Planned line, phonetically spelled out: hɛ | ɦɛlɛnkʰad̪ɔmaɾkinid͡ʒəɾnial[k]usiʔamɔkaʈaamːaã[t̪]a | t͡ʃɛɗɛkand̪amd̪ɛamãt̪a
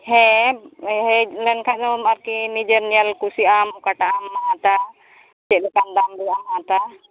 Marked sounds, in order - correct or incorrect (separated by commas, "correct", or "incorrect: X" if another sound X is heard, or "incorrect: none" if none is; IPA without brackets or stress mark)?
correct, correct